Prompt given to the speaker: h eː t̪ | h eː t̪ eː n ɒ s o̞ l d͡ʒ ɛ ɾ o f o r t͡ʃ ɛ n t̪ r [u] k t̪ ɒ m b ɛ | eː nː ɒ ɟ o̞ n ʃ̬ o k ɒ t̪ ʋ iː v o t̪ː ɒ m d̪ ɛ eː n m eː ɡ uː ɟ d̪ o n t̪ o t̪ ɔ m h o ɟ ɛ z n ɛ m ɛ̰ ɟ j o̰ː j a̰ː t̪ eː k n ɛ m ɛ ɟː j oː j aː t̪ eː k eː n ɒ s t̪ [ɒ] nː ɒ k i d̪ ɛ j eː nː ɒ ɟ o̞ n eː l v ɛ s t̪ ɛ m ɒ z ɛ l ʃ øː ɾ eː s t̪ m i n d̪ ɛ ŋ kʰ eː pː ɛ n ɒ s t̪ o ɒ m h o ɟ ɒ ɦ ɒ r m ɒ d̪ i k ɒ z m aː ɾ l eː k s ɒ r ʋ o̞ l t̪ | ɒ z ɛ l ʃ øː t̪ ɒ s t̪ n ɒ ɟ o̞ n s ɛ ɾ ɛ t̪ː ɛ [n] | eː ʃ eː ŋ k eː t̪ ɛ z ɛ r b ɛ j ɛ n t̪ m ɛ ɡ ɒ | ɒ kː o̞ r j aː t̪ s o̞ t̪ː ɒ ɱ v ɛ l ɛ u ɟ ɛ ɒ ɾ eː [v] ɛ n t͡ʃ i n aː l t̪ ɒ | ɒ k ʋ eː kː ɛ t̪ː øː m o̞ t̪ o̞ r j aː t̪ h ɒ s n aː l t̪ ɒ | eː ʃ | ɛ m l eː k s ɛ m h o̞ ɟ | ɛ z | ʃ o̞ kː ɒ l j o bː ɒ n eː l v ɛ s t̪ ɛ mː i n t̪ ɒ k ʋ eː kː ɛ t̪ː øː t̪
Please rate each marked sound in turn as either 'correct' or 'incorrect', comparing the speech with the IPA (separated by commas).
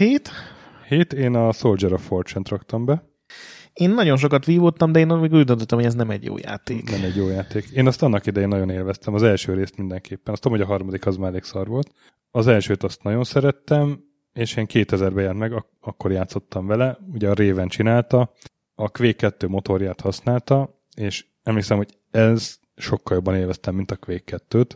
incorrect, correct, incorrect, correct